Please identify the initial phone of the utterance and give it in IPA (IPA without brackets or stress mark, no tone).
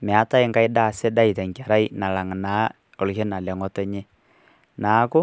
m